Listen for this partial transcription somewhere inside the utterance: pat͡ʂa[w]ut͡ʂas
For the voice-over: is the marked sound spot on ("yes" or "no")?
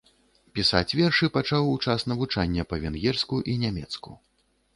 yes